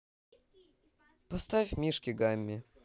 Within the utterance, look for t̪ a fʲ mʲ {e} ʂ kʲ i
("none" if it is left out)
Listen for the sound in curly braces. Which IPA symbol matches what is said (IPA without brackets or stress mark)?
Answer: i